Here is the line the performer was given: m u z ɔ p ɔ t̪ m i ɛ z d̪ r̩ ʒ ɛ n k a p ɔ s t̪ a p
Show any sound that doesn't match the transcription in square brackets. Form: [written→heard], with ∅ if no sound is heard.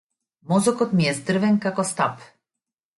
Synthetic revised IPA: m [u→ɔ] z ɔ [p→k] ɔ t̪ m i ɛ z d̪ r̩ [ʒ→v] ɛ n k a [p→k] ɔ s t̪ a p